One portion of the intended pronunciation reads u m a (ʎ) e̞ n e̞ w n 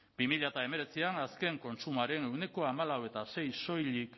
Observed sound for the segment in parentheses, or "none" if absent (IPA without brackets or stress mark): ɾ